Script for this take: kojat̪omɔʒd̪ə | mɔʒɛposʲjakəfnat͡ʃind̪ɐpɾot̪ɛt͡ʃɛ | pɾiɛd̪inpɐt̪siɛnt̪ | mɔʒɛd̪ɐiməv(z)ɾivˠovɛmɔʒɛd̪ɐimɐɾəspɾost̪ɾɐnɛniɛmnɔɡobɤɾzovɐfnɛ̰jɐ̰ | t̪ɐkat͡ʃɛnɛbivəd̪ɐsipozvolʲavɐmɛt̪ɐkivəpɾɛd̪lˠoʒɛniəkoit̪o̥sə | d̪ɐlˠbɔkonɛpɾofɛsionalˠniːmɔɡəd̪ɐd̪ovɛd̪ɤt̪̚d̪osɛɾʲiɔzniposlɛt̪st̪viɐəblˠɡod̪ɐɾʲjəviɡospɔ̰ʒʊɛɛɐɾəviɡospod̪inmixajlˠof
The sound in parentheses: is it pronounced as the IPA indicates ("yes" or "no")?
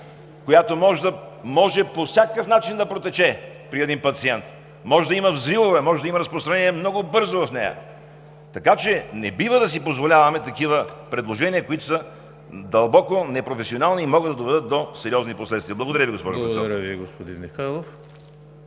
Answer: yes